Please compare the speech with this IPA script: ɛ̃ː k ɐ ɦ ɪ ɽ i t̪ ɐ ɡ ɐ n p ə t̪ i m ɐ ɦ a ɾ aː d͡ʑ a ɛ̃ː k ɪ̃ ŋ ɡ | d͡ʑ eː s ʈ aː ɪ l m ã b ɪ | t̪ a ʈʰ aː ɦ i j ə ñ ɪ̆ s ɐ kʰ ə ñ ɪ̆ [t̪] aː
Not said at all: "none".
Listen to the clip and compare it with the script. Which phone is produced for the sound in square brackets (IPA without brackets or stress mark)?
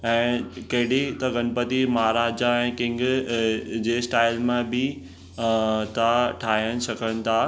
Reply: t̪ʰ